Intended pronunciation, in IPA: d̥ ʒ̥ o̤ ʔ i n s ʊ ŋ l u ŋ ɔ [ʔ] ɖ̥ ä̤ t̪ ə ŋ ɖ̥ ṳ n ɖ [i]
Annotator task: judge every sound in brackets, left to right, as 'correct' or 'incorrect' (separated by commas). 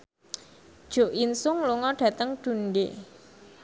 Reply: incorrect, incorrect